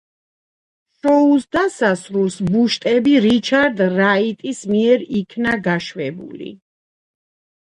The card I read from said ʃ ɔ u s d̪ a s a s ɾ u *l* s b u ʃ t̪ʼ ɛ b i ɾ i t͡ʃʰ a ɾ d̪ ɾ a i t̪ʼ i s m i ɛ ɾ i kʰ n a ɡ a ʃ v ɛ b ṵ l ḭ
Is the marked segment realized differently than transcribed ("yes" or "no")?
no